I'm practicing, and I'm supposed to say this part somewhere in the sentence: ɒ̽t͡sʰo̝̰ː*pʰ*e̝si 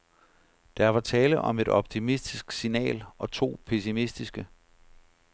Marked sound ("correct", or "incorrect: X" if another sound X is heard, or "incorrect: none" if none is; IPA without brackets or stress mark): correct